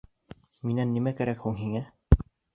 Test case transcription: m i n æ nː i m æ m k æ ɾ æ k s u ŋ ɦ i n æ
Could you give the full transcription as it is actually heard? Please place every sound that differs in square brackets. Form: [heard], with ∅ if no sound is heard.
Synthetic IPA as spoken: m i n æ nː i m æ [∅] k æ ɾ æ k [h] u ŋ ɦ i [ŋ] æ